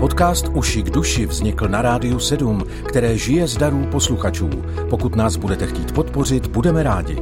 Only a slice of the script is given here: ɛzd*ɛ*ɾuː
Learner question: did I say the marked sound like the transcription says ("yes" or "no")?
no